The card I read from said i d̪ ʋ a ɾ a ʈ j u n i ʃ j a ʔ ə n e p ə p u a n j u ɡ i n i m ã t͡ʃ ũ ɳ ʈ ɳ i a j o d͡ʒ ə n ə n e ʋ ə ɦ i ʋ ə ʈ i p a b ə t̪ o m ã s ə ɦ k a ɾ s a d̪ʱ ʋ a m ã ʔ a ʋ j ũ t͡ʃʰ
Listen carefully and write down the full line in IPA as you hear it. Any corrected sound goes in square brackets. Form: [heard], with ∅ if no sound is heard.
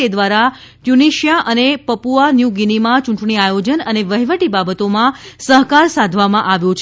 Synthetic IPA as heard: [e] d̪ ʋ a ɾ a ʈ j u n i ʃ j a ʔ ə n e p ə p u a n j u ɡ i n i m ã t͡ʃ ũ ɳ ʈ ɳ i a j o d͡ʒ ə n ə n e ʋ ə ɦ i ʋ ə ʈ i [b] a b ə t̪ o m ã s ə ɦ k a ɾ s a d̪ʱ ʋ a m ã ʔ a ʋ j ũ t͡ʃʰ

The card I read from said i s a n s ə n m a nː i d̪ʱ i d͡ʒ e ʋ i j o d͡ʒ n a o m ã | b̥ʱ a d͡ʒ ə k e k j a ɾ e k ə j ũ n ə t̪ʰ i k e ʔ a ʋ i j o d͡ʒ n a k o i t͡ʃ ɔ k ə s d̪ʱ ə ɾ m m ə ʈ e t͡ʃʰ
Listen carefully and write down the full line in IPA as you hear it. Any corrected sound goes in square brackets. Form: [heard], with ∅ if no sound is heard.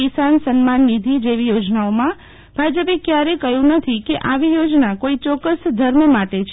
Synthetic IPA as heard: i s a n s ə n m a nː i d̪ʱ i d͡ʒ e ʋ i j o d͡ʒ n a o m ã | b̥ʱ a d͡ʒ ə [p] e k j a ɾ e k ə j ũ n ə t̪ʰ i k e ʔ a ʋ i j o d͡ʒ n a k o i t͡ʃ ɔ k ə s d̪ʱ ə ɾ m m [a] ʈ e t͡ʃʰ

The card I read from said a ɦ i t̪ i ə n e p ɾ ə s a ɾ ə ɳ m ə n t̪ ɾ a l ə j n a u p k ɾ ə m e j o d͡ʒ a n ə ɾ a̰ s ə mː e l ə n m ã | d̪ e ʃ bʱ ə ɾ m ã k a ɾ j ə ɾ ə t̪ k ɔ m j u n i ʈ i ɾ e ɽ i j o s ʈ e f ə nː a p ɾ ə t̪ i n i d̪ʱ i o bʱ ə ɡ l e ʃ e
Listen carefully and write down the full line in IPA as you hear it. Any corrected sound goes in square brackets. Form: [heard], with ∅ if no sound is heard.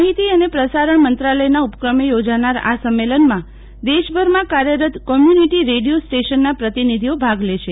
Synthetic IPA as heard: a ɦ i t̪ i ə n e p ɾ ə s a ɾ ə ɳ m ə n t̪ ɾ a l ə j n a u p k ɾ ə m e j o d͡ʒ a n [a] ɾ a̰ s ə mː e l ə n m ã | d̪ e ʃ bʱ ə ɾ m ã k a ɾ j ə ɾ ə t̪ k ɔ m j u n i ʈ i ɾ e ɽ i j o s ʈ e [ʃ] ə nː a p ɾ ə t̪ i n i d̪ʱ i o bʱ [a] ɡ l e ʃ e

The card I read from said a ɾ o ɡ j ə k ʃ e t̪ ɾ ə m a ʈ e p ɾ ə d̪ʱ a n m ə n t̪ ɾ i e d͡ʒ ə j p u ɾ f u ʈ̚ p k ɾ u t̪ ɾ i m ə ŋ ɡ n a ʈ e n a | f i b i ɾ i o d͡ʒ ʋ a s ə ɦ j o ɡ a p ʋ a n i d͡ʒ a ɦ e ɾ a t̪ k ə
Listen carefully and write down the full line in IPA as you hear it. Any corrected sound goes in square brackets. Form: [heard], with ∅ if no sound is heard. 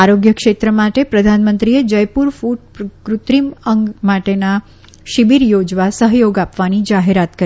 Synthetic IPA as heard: a ɾ o ɡ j ə k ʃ e t̪ ɾ ə m a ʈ e p ɾ ə d̪ʱ a n m ə n t̪ ɾ i e d͡ʒ ə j p u ɾ f u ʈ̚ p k ɾ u t̪ ɾ i m ə ŋ ɡ [m] a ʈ e n a | [ʃ] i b i ɾ [j] o d͡ʒ ʋ a s ə ɦ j o ɡ a p ʋ a n i d͡ʒ a ɦ e ɾ a t̪ k ə

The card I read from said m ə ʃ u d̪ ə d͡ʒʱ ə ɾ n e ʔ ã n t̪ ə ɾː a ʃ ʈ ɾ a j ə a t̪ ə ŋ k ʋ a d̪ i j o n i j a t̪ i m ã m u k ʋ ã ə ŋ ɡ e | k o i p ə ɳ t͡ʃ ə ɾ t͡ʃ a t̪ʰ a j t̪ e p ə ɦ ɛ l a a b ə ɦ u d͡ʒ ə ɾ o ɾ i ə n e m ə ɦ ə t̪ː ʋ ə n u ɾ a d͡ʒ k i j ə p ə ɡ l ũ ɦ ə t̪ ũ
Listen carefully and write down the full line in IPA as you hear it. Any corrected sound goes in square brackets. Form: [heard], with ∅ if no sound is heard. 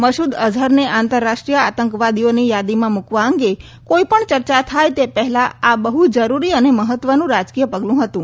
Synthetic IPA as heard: m ə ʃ u d̪ ə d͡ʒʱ ə ɾ n e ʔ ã n t̪ ə ɾː a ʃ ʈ ɾ [i] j ə a t̪ ə ŋ k ʋ a d̪ i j o n i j a [d̪] i m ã m u k ʋ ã ə ŋ ɡ e | k o i p ə ɳ t͡ʃ ə ɾ t͡ʃ a t̪ʰ a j t̪ e p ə ɦ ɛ l a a b ə ɦ u d͡ʒ ə ɾ [u] ɾ i ə n e m ə ɦ ə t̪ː ʋ ə n [ũ] ɾ a d͡ʒ k i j ə p ə ɡ l ũ ɦ ə t̪ ũ

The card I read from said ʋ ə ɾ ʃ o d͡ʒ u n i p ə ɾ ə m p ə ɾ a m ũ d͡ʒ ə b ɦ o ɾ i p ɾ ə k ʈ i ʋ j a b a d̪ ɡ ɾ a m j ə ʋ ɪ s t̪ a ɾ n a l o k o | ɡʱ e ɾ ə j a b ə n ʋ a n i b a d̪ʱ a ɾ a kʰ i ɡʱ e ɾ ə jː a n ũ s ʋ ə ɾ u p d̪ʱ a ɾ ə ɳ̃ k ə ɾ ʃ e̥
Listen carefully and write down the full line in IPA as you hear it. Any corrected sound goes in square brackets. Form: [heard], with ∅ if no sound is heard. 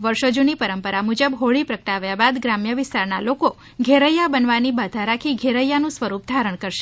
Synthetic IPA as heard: ʋ ə ɾ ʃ o d͡ʒ u n i p ə ɾ ə m p ə ɾ a m [u] d͡ʒ ə b ɦ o [ɭ] i p ɾ ə k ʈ [a] ʋ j a b a d̪ ɡ ɾ a m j ə ʋ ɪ s t̪ a ɾ n a l o k o | ɡʱ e ɾ ə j a b ə n ʋ a n i b a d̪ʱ a ɾ a kʰ i ɡʱ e ɾ ə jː a n ũ s ʋ ə ɾ u p d̪ʱ a ɾ ə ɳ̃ k ə ɾ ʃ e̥

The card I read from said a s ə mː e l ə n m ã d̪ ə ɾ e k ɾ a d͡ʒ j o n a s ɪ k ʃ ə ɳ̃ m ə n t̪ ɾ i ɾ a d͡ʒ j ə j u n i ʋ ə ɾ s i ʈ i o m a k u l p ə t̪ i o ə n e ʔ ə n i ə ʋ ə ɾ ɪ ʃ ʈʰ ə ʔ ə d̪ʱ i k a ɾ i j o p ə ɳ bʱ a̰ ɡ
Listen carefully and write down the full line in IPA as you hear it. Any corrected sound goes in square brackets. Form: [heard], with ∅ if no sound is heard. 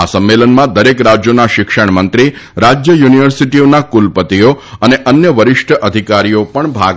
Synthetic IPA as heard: a s ə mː e l ə n m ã d̪ ə ɾ e k ɾ a d͡ʒ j o n a [ʃ] ɪ k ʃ ə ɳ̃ m ə n t̪ ɾ i ɾ a d͡ʒ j ə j u n i ʋ ə ɾ s i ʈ i o [n] a k u l p ə t̪ i o ə n e ʔ ə n [j] ə ʋ ə ɾ ɪ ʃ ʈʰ ə ʔ ə d̪ʱ i k a ɾ i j o p ə ɳ bʱ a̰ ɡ

